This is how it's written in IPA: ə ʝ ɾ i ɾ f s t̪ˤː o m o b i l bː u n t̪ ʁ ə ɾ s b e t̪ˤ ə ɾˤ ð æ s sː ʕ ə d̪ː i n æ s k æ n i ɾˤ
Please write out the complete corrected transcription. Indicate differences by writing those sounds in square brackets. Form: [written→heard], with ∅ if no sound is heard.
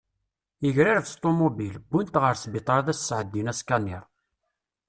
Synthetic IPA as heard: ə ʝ ɾ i ɾ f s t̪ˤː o m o b i l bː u n t̪ ʁ ə ɾ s b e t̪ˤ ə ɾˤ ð æ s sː ʕ ə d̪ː i n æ s k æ n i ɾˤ